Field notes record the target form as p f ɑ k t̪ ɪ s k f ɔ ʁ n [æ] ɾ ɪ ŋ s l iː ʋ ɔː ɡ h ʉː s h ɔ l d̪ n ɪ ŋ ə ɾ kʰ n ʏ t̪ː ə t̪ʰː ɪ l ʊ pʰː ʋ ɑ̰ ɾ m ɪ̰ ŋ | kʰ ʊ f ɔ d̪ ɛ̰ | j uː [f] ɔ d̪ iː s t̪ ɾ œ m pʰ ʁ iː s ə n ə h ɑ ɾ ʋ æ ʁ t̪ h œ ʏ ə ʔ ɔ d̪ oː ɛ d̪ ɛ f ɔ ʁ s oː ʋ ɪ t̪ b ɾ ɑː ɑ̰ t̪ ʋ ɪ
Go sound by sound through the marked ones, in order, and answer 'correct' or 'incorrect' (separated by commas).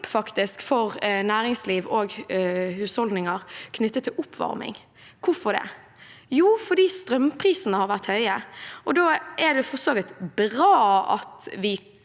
incorrect, correct